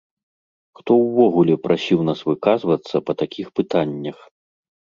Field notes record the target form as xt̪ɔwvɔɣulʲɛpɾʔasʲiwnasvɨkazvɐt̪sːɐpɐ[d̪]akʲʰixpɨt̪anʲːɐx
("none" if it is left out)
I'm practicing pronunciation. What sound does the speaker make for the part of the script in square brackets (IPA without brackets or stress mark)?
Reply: t̪